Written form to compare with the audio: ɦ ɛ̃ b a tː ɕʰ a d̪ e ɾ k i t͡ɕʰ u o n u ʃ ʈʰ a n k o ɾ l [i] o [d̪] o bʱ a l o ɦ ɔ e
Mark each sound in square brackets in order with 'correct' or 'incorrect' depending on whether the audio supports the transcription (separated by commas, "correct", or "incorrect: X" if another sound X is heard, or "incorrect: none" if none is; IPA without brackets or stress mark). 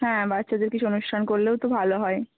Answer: incorrect: e, incorrect: t̪